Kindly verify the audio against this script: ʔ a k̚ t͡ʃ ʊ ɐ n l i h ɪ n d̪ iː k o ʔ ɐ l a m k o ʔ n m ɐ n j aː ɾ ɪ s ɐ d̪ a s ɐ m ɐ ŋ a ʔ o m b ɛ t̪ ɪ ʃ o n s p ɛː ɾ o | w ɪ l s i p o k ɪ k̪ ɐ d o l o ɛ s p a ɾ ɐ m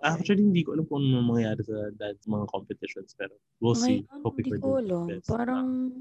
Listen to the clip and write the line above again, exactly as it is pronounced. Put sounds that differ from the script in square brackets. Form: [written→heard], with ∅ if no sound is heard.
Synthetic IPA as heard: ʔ a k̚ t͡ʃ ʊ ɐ [n→∅] l i h ɪ n d̪ iː k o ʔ ɐ l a m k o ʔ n m ɐ [n→ŋ] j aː ɾ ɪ s ɐ d̪ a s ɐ m ɐ ŋ a [ʔ→k] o m [b→p] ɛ t̪ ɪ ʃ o n s p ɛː ɾ o | w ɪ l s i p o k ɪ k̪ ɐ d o l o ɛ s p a ɾ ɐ [m→ŋ]